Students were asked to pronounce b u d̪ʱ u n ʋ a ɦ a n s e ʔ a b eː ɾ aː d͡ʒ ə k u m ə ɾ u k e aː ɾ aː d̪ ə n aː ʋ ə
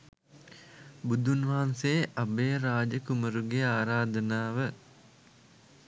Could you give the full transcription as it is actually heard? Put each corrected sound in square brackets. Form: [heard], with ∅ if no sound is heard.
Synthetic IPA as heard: b u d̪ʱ u n ʋ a ɦ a n s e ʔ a b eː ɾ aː d͡ʒ ə k u m ə ɾ u [ɡ] e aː ɾ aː d̪ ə n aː ʋ ə